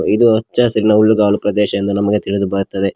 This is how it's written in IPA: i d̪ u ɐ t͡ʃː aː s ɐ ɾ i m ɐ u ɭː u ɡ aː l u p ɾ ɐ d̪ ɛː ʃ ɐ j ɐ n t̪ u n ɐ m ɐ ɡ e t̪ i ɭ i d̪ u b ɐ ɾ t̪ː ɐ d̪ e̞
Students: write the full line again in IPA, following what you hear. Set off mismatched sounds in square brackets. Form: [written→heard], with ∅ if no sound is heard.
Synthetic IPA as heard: i d̪ u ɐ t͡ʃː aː s ɐ ɾ i [m→n] ɐ u ɭː u ɡ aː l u p ɾ ɐ d̪ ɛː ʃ ɐ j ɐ n [t̪→d̪] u n ɐ m ɐ ɡ e t̪ i ɭ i d̪ u b ɐ ɾ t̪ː ɐ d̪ e̞